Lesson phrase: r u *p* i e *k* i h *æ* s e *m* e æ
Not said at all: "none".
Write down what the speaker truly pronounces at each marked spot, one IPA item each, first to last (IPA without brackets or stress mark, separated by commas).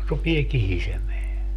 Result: p, k, i, m